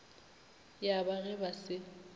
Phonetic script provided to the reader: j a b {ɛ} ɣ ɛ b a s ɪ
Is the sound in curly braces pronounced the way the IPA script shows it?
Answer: no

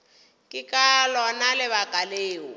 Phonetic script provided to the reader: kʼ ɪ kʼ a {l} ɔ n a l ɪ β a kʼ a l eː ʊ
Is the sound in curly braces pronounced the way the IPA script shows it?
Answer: yes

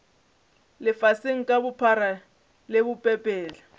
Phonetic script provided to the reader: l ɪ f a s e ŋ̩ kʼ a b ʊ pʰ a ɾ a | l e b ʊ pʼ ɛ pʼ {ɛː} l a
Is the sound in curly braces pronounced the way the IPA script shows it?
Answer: yes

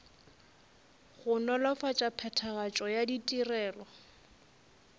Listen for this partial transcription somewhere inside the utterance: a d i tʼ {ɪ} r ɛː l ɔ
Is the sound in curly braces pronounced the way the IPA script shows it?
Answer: no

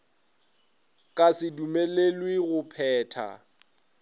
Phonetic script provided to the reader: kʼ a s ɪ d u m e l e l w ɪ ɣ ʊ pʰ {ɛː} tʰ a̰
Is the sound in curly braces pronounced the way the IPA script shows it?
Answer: yes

